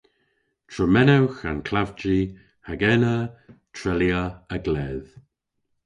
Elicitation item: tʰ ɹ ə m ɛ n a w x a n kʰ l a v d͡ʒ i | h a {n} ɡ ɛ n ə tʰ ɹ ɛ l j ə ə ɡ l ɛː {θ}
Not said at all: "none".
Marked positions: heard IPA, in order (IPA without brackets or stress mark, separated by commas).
none, ð